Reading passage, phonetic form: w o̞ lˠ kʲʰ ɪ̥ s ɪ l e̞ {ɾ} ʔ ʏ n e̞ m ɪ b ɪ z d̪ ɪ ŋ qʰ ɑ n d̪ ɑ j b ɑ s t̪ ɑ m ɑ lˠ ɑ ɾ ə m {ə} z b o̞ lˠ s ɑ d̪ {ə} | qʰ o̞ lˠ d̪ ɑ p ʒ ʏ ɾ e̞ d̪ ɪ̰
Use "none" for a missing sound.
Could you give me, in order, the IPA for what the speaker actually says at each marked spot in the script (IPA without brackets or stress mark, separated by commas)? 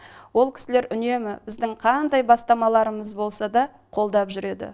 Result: ɾ, ə, ɑ